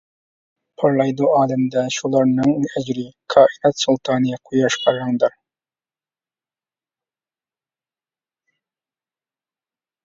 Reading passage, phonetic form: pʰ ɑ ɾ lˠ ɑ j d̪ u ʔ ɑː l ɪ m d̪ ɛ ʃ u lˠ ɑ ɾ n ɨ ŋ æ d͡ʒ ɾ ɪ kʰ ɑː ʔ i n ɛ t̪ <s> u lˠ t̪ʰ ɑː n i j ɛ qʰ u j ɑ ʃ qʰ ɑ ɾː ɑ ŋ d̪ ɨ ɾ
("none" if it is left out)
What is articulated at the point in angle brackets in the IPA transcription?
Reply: s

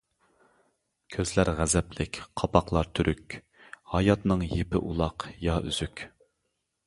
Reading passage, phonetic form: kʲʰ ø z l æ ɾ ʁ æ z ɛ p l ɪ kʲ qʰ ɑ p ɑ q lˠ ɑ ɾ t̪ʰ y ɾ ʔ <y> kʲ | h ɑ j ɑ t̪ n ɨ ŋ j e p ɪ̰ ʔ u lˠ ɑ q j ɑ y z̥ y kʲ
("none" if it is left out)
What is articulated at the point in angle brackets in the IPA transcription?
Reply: y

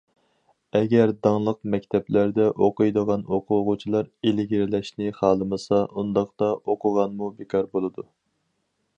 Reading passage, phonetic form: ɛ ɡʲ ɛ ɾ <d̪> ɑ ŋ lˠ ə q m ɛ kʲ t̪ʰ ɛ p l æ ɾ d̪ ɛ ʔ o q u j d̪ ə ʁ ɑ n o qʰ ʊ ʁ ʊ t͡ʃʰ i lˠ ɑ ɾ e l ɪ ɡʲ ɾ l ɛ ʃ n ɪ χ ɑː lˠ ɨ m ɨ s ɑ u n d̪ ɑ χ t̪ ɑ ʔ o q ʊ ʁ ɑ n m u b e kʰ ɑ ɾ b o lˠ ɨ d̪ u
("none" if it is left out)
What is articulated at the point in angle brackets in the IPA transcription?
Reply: d̪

